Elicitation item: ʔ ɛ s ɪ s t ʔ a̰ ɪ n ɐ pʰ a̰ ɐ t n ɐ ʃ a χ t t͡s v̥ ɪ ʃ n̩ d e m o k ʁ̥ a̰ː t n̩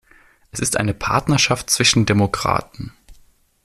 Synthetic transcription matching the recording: ʔ ɛ s ɪ s t ʔ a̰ ɪ n ə pʰ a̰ ɐ t n ɐ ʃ a f t t͡s v̥ ɪ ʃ n̩ d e m o k ʁ̥ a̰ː t n̩